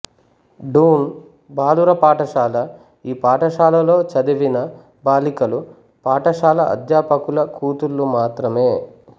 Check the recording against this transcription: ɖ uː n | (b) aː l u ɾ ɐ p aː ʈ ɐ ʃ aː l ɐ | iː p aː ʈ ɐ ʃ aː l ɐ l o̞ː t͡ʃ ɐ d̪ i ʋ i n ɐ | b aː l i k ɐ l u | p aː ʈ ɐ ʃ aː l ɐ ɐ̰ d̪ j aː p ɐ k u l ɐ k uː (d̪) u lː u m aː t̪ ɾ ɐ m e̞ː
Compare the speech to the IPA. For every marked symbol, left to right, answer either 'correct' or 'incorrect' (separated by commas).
correct, incorrect